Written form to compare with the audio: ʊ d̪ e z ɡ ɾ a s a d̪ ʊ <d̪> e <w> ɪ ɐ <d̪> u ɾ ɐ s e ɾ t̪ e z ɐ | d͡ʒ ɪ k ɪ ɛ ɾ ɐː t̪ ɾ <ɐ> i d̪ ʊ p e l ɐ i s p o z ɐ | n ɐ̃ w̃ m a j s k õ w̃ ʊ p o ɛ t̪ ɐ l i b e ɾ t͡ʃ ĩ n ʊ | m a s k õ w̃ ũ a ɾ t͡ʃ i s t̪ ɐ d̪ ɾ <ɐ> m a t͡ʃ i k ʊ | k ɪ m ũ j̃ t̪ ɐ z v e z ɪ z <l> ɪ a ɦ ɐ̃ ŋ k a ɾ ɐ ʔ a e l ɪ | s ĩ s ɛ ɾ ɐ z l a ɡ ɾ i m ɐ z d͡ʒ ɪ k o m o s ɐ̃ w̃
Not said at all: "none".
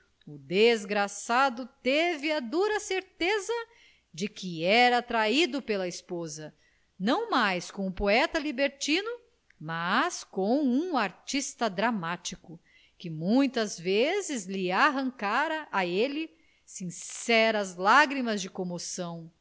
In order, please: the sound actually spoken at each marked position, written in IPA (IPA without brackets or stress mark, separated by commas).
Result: t̪, v, d̪, a, a, l